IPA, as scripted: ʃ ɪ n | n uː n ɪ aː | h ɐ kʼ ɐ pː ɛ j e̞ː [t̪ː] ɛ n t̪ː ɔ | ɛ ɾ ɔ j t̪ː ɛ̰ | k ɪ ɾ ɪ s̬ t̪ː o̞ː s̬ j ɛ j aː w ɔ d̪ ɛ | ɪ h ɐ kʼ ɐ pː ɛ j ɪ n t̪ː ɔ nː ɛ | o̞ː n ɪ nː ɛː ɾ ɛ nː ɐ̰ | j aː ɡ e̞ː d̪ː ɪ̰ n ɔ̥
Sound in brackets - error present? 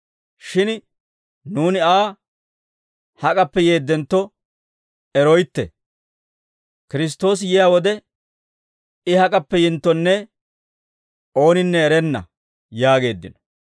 yes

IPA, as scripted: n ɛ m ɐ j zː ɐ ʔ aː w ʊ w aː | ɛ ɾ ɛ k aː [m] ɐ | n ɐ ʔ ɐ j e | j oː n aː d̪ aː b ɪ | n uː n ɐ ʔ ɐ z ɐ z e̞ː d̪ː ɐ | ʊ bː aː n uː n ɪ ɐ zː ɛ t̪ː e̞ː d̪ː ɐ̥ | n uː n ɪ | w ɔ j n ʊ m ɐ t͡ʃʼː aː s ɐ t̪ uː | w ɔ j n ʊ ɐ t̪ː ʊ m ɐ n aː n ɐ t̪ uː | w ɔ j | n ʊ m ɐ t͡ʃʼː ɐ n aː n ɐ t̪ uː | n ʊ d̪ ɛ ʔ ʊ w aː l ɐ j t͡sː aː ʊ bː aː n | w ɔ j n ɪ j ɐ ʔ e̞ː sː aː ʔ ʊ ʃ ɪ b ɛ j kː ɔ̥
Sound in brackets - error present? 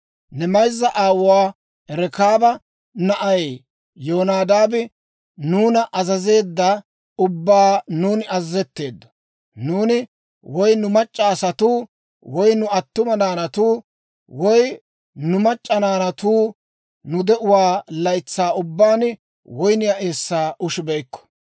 yes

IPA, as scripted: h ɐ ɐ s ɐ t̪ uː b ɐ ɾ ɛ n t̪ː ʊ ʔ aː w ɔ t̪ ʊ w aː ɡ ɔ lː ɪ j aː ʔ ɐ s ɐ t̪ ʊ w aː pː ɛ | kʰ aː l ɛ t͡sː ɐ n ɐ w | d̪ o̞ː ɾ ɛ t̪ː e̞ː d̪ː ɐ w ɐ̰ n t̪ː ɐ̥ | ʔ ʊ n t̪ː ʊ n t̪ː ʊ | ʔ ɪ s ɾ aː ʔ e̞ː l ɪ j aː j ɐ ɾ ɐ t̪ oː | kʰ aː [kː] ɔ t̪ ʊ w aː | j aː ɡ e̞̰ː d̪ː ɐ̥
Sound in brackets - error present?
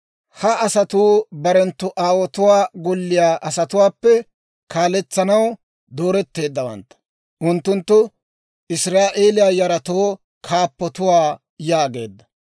yes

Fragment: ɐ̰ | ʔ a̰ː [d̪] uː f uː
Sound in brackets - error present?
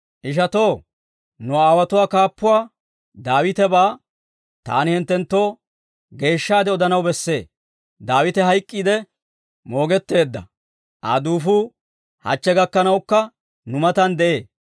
no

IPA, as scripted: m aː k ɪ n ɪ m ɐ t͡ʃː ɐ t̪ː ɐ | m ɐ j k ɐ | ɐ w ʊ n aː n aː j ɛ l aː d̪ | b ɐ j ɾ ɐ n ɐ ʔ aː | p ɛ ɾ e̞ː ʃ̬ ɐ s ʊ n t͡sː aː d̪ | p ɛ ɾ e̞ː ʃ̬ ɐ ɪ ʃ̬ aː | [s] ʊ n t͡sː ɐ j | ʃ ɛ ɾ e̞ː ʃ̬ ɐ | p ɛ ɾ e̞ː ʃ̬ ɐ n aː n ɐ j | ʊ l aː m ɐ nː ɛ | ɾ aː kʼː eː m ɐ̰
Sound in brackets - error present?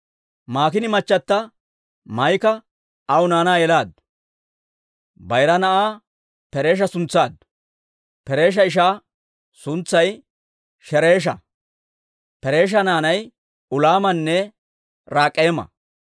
no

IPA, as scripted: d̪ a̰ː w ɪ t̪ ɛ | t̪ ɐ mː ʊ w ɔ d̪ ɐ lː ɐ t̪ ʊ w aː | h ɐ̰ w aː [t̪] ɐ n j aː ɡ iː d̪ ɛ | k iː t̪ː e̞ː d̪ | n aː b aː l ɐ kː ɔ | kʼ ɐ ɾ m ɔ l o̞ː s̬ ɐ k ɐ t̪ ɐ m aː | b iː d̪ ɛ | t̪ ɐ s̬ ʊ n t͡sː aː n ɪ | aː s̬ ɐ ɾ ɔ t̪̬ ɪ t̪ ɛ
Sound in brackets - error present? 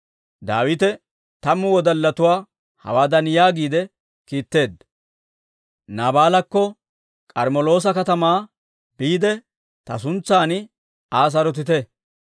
yes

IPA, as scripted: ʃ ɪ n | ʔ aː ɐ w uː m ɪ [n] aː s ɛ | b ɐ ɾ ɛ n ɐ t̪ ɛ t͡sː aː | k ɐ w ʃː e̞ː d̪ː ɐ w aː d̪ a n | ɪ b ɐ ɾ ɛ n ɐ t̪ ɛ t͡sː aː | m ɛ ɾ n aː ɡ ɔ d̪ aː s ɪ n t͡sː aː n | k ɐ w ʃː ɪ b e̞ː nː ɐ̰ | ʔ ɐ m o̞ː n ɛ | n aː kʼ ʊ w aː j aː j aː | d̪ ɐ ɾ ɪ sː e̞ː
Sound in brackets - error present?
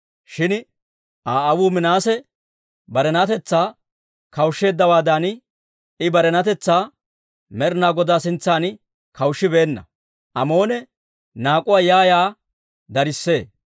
no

